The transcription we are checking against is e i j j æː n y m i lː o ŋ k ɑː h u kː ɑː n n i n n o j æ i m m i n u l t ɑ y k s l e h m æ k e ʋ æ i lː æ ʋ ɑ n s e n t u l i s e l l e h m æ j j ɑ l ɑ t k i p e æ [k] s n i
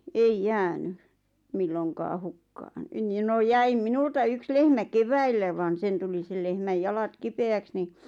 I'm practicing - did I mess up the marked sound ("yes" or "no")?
no